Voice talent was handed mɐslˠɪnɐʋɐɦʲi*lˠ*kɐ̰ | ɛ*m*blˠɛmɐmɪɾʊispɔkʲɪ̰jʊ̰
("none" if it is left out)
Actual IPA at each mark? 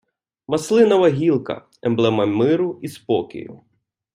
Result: lˠ, m

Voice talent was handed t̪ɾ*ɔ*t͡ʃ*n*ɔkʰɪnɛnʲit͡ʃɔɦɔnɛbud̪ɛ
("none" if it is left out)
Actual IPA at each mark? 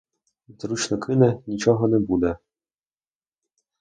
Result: u, n

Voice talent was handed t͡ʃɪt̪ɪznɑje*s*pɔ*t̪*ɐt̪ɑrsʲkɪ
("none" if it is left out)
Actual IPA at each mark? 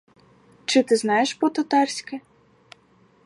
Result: ʃ, t̪

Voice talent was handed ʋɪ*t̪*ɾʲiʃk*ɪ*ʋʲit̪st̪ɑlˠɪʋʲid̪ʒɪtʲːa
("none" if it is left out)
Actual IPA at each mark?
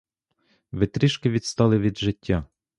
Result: t̪, ɪ

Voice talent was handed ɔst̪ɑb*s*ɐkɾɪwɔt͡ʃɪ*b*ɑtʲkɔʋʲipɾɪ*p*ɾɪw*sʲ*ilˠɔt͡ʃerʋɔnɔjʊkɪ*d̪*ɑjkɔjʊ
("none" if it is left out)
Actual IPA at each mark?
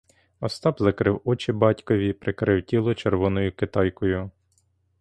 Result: z, b, k, tʲ, t̪

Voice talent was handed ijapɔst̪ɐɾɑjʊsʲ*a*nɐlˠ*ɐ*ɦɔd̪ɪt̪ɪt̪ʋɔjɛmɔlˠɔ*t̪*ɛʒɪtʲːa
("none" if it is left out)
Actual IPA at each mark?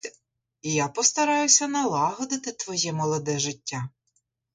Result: ɐ, ɑ, d̪

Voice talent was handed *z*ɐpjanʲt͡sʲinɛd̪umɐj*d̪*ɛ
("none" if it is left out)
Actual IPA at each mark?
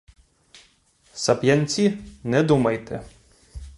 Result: s, t̪

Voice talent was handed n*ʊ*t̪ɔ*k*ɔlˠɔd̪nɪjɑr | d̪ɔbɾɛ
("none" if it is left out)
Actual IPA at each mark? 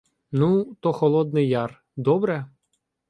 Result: u, x

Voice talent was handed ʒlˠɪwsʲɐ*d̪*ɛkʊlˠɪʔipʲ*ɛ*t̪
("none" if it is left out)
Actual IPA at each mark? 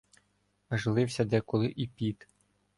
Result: d̪, i

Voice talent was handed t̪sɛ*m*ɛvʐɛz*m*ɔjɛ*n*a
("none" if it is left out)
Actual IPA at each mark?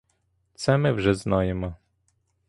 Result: m, n, m

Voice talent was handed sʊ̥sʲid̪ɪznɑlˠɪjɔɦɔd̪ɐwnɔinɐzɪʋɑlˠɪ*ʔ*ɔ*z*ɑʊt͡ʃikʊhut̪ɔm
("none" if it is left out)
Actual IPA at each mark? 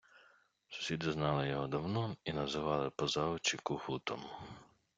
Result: p, z

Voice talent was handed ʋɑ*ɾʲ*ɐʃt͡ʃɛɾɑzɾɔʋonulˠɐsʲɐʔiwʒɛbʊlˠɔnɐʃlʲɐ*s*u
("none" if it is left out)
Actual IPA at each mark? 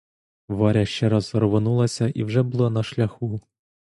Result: ɾʲ, x

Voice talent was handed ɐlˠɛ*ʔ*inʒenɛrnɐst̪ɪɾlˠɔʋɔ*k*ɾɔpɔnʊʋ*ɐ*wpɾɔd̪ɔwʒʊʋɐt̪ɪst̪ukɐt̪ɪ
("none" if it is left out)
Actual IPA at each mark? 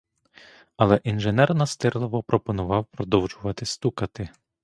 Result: ʔ, p, ɑ

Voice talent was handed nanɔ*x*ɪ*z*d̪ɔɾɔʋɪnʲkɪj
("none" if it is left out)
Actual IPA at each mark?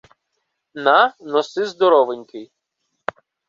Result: s, z

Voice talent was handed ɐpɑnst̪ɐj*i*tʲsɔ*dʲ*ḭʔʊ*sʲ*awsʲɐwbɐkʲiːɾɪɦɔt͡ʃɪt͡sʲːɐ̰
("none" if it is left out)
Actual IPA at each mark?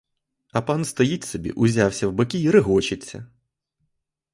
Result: i, bʲ, zʲ

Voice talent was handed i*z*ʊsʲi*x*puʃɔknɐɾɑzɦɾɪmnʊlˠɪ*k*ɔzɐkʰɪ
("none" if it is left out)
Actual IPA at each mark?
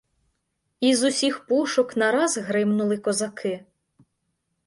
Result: z, x, k

